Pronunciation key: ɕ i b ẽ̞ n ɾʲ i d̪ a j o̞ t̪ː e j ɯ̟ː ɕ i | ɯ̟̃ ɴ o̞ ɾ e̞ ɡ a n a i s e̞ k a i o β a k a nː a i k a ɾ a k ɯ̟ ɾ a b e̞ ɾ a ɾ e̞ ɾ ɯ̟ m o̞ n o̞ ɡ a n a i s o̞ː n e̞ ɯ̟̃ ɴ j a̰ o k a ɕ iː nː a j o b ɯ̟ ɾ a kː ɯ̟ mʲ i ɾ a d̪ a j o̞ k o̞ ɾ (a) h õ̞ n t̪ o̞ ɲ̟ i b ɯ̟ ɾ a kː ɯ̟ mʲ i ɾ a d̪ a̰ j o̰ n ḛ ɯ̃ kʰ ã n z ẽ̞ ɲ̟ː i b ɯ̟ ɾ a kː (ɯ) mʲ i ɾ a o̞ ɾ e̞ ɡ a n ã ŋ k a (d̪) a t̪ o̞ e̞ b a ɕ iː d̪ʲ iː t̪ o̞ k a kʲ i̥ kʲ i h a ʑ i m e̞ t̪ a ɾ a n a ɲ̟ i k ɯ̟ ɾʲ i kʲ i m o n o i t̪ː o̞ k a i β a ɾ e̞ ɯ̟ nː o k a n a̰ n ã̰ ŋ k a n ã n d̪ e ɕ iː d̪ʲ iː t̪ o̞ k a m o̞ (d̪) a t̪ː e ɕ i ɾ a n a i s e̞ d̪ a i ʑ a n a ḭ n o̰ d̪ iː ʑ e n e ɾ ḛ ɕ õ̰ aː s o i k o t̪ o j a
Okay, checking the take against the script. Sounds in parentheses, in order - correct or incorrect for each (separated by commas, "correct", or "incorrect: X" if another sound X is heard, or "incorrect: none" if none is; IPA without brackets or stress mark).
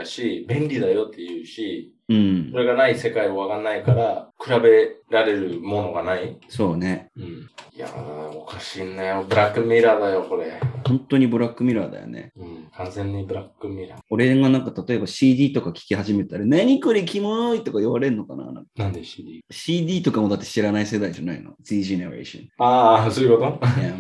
incorrect: e, correct, incorrect: t̪, correct